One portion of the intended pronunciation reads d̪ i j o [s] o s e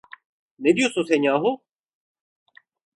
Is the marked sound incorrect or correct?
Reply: correct